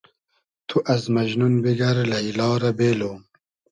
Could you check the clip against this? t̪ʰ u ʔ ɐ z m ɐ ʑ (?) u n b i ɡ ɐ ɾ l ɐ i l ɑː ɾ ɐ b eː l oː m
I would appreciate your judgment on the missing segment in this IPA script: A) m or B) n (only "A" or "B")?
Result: B